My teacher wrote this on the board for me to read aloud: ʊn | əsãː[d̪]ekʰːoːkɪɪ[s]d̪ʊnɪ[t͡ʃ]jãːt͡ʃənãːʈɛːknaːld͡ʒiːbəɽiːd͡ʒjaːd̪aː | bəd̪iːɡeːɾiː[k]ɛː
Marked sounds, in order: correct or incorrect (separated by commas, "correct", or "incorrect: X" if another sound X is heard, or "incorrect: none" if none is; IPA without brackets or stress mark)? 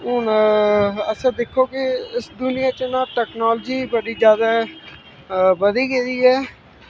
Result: correct, correct, incorrect: none, incorrect: none